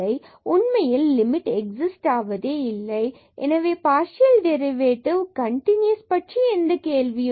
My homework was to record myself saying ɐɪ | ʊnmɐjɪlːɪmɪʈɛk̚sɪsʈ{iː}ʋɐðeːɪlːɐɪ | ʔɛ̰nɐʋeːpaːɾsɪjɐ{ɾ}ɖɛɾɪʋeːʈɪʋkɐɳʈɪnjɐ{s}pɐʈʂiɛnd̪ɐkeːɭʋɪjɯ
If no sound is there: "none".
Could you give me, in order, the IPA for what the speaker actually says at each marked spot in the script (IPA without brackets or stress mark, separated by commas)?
aː, l, s